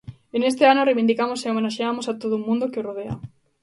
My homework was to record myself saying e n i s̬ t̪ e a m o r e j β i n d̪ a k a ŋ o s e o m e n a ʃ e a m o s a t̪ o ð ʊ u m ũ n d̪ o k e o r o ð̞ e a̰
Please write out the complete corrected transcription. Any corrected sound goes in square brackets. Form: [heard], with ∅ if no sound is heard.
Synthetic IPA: e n [e] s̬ t̪ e a [n] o r e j β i n d̪ [i] k a [m] o s e o m e n a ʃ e a m o s a t̪ o ð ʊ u m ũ n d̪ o k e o r o ð̞ e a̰